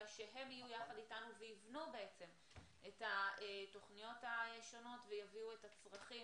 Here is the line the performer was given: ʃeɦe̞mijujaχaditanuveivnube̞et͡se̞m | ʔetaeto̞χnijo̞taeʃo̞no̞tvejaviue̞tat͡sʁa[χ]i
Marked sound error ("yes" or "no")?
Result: no